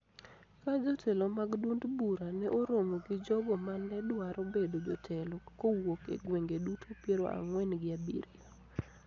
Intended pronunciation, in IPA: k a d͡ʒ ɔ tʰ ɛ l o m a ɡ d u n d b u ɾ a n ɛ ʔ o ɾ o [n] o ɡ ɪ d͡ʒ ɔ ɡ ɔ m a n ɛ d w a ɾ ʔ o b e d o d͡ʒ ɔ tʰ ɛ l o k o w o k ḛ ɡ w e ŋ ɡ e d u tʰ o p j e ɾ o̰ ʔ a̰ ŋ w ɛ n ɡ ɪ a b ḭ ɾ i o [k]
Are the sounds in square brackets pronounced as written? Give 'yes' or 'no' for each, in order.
no, no

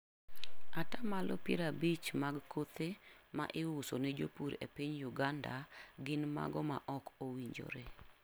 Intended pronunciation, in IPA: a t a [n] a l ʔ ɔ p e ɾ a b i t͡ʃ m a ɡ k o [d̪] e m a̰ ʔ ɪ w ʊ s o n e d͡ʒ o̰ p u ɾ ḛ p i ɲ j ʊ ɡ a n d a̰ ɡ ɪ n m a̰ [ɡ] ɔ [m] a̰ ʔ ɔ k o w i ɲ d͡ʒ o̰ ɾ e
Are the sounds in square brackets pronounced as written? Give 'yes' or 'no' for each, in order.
no, no, yes, yes

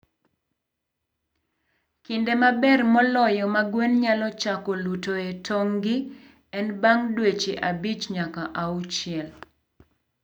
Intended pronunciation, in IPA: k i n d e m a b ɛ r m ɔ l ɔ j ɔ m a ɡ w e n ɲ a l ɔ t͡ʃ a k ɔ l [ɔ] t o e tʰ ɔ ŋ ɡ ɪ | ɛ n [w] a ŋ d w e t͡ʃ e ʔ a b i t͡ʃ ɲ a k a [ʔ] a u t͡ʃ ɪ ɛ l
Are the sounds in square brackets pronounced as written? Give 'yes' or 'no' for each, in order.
no, no, yes

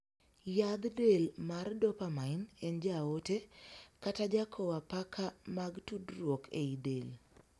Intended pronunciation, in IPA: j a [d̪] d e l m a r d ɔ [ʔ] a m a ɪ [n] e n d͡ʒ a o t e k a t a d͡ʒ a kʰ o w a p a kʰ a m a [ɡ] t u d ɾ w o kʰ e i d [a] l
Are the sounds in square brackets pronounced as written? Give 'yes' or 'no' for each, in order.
yes, no, yes, yes, no

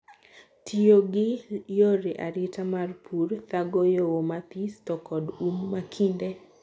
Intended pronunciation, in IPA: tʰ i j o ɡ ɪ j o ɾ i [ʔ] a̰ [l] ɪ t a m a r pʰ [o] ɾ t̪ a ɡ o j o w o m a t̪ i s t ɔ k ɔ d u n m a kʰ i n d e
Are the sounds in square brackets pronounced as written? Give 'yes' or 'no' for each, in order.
yes, no, no

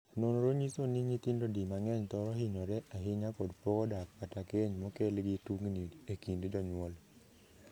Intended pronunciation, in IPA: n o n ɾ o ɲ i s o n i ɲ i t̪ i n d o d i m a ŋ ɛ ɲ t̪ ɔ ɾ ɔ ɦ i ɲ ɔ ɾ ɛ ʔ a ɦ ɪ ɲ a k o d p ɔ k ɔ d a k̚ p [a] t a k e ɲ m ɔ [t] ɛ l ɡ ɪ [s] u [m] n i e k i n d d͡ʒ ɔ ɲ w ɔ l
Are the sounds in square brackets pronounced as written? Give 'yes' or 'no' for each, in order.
yes, no, no, no

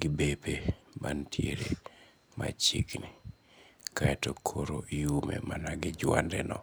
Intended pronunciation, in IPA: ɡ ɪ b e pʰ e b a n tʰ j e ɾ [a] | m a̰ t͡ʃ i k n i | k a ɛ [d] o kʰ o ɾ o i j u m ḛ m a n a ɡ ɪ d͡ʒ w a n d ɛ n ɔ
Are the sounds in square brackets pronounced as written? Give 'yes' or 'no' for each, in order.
no, no

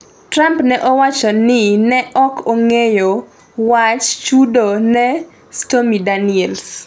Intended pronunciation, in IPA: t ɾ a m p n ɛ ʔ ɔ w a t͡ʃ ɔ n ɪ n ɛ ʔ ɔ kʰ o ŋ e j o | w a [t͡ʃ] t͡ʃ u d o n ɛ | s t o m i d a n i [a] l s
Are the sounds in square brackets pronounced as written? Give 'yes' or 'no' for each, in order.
yes, no

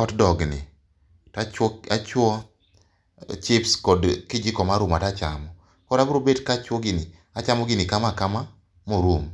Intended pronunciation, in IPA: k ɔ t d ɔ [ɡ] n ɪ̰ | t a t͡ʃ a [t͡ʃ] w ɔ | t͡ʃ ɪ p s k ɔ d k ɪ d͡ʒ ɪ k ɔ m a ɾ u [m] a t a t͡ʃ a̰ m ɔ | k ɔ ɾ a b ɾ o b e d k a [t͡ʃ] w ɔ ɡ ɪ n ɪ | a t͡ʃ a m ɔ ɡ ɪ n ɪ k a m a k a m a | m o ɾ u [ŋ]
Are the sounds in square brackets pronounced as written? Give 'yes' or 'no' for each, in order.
yes, yes, yes, yes, no

